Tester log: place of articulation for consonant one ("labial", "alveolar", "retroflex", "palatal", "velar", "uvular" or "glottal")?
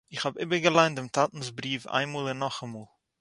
uvular